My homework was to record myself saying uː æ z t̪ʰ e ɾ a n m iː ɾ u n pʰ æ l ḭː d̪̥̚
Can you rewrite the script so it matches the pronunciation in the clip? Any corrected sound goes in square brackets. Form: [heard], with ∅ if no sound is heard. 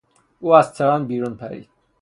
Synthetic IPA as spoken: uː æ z t̪ʰ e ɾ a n [b] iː ɾ u n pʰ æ [ɾ] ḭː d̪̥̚